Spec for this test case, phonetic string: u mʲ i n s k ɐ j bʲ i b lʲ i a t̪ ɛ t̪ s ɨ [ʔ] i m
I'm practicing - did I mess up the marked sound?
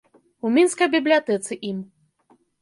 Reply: no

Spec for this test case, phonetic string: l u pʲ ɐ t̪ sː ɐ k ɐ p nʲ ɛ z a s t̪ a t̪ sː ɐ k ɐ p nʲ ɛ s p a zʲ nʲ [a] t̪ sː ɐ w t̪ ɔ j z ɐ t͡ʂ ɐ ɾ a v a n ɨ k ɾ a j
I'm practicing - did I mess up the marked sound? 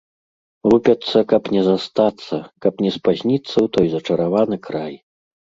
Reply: yes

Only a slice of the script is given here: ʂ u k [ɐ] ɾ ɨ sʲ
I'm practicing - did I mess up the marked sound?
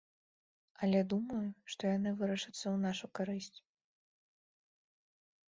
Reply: yes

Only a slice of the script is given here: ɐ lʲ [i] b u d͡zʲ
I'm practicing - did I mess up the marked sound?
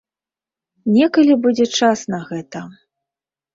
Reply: no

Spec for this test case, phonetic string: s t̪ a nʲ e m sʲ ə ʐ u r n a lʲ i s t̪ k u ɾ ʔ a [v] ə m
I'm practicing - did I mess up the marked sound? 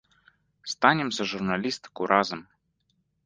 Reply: yes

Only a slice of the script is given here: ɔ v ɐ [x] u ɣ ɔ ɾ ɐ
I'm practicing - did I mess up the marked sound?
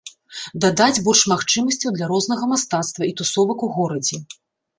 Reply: yes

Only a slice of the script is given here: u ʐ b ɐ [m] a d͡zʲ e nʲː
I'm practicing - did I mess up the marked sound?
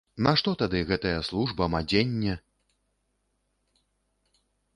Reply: no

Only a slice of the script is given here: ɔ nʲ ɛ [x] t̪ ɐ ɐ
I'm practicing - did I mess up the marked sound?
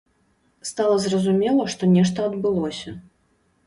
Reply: yes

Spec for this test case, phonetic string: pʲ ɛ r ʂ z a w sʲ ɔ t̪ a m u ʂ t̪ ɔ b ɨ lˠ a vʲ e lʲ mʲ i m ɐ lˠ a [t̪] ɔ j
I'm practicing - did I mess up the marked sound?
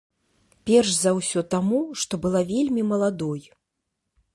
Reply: yes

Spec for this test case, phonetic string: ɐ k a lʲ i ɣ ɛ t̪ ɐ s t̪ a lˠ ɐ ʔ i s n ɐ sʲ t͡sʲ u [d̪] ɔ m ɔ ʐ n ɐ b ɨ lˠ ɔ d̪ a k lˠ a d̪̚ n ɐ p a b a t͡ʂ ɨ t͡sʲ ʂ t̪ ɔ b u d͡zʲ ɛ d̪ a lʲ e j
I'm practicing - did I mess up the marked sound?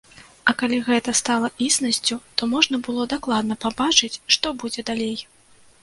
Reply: yes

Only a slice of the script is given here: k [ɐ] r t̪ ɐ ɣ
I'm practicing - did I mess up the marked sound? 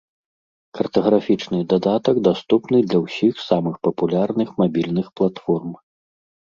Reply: no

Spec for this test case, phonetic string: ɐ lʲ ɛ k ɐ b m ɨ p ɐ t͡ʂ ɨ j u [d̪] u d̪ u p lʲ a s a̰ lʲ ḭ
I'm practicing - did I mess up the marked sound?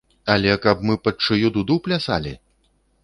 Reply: no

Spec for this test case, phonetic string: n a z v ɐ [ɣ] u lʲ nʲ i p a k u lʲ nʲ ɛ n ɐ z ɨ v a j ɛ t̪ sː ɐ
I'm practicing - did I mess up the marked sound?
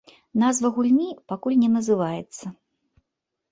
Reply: no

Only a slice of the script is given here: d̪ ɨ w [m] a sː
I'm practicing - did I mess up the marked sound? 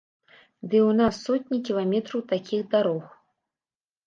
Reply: yes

